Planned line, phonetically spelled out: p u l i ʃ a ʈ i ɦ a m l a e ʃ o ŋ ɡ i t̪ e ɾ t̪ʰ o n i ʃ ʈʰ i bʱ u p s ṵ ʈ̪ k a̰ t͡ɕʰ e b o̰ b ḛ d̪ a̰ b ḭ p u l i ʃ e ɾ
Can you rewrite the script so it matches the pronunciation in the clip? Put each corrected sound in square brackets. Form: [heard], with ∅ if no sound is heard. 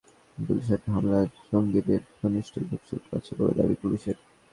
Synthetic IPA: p u l i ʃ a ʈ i ɦ a m l a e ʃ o ŋ ɡ i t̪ e ɾ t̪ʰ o n i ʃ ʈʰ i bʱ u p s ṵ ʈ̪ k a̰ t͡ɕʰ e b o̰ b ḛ d̪ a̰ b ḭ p u l i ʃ e ɾ